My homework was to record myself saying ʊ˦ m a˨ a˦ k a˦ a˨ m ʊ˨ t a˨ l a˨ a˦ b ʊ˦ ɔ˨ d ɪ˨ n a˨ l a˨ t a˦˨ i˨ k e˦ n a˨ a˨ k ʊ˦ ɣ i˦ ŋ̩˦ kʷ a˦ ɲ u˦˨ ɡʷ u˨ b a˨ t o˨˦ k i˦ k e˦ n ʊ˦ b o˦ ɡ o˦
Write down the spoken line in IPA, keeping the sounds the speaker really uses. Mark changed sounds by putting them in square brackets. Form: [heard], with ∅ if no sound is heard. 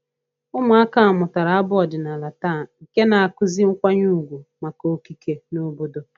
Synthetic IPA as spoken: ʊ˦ m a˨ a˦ k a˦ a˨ m ʊ˨ t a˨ [ɾ] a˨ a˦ b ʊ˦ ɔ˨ d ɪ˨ n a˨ l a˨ t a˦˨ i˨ k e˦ n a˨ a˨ k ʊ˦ [z] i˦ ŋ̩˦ kʷ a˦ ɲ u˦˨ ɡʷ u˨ [m] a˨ [k] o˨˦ k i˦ k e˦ n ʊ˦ b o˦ [d] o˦